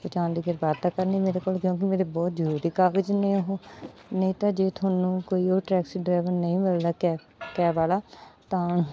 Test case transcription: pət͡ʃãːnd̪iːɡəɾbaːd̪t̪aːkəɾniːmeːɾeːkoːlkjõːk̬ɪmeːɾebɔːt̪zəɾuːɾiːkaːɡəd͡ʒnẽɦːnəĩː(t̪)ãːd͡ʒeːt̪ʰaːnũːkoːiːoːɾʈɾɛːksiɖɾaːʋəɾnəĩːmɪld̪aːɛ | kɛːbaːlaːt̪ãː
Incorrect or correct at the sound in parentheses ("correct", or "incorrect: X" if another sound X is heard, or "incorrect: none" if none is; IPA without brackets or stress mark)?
correct